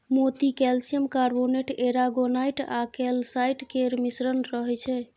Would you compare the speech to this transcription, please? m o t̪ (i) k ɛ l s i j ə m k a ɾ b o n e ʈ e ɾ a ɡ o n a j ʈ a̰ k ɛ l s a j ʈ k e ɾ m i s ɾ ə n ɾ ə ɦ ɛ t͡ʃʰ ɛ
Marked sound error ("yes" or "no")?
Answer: no